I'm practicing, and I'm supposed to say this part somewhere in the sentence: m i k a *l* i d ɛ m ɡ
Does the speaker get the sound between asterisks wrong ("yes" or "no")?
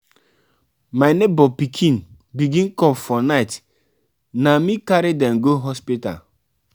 yes